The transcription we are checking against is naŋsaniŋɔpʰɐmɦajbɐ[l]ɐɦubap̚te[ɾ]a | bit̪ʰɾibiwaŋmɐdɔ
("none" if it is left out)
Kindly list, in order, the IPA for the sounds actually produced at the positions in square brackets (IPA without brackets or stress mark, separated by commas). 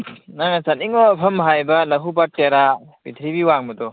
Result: l, ɾ